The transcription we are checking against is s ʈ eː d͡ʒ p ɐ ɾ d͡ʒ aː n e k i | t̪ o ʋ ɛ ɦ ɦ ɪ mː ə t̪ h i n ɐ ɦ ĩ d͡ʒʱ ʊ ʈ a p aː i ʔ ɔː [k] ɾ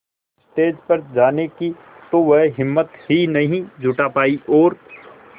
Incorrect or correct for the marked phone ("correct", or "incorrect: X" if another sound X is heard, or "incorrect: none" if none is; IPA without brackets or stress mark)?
incorrect: none